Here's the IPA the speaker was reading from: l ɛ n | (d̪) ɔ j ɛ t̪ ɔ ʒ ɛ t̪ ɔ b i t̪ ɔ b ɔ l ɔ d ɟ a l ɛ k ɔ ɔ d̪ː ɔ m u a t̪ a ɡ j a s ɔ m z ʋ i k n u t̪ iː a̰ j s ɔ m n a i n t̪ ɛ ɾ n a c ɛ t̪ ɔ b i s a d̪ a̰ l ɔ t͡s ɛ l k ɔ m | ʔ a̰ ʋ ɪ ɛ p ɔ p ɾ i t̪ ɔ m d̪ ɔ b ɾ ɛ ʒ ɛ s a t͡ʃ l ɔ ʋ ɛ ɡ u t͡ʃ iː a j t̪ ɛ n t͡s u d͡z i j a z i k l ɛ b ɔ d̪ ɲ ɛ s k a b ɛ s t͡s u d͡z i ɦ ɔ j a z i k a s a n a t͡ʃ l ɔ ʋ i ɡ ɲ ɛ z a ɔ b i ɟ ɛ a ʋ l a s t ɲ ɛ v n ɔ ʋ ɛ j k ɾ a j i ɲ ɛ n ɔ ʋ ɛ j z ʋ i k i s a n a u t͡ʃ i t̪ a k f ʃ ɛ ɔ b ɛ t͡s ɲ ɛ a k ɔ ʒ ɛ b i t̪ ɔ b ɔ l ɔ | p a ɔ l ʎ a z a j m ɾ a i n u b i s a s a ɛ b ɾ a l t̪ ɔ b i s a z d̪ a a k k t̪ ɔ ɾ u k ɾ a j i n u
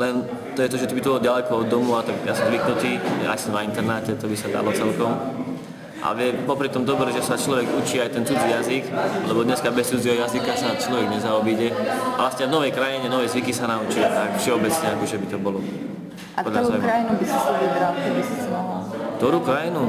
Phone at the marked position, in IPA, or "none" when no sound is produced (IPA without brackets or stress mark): t̪